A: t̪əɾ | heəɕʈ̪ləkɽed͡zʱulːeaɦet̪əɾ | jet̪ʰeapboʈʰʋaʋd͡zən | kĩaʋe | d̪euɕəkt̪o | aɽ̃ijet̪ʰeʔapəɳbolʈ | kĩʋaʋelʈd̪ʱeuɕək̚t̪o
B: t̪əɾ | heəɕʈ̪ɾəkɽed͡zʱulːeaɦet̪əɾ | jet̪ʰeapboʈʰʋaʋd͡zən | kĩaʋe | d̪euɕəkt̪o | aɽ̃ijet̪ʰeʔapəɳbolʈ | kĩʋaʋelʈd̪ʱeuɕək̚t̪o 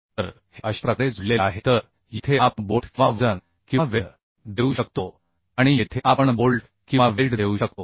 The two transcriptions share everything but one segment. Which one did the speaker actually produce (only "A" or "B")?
B